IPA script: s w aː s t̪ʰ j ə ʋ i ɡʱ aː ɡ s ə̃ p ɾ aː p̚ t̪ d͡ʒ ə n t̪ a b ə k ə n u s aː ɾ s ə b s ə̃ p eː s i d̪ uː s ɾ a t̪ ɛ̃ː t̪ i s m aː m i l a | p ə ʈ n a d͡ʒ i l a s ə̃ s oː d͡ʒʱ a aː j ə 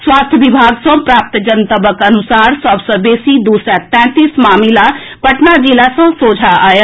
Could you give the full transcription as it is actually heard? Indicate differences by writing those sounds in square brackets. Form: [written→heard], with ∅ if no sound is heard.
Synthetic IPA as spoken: s w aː s t̪ʰ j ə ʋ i [ɡʱ→bʱ] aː ɡ s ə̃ p ɾ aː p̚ t̪ d͡ʒ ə n t̪ [a→ə] b ə k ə n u s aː ɾ s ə b s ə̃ [p→b] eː s i d̪ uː s ɾ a t̪ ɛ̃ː t̪ i s m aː m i l a | p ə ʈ n a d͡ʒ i l a s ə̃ s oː d͡ʒʱ a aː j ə